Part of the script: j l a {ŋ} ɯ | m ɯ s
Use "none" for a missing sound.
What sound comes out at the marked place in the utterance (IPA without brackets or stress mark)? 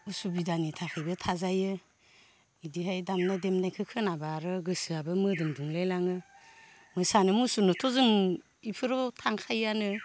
ŋ